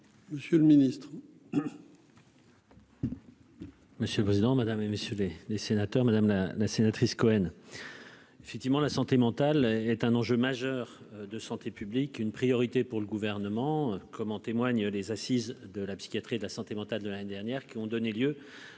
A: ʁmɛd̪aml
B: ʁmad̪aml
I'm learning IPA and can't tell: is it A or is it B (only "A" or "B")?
B